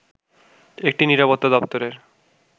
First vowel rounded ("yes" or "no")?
no